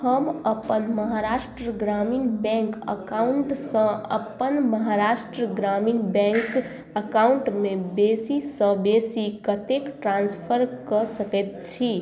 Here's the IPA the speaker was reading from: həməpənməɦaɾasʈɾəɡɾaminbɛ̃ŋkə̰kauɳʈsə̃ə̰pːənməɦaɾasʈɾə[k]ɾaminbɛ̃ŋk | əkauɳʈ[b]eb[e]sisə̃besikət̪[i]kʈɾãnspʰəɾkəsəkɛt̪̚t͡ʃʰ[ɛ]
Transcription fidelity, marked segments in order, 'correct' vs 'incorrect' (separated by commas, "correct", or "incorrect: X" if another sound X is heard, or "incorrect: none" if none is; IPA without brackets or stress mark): incorrect: ɡ, incorrect: m, correct, incorrect: e, incorrect: i